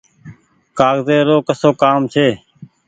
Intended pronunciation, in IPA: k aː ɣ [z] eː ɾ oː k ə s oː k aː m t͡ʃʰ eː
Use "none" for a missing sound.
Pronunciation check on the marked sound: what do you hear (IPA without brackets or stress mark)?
z